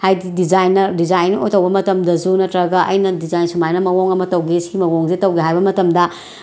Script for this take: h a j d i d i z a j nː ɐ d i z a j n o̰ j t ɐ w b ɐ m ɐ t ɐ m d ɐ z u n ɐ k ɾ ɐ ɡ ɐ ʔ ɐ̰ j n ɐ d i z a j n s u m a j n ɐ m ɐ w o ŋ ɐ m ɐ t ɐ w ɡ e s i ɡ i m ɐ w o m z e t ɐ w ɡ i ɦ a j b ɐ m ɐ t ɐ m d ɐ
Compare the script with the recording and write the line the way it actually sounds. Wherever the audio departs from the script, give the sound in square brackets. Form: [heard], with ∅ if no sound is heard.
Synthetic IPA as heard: h a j d i d i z a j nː ɐ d i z a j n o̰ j t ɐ w b ɐ m ɐ t ɐ m d ɐ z u n ɐ [t] ɾ ɐ ɡ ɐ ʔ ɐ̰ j n ɐ d i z a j n s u m a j n ɐ m ɐ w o ŋ ɐ m ɐ t ɐ w ɡ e s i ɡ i m ɐ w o [ŋ] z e t ɐ w ɡ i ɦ a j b ɐ m ɐ t ɐ m d ɐ